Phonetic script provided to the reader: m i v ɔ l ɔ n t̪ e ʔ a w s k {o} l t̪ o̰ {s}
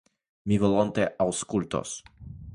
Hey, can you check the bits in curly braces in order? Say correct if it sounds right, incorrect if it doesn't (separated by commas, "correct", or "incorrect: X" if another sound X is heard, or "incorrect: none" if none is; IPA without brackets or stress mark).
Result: incorrect: u, correct